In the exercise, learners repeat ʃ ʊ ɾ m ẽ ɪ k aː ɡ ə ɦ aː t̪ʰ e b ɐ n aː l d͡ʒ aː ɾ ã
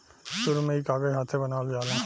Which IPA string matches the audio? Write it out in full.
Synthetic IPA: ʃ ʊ ɾ m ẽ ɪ k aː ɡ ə ɦ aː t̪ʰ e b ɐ n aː l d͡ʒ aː l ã